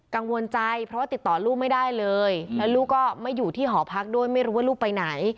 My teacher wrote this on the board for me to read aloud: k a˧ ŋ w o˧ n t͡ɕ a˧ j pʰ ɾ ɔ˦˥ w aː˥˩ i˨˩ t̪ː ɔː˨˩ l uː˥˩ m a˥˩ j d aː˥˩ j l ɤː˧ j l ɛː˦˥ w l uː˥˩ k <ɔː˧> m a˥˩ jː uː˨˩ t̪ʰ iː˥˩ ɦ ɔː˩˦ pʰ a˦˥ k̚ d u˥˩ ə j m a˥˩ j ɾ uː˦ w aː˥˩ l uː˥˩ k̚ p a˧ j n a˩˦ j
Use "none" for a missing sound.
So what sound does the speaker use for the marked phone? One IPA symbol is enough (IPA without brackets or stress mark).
ɔː˥˩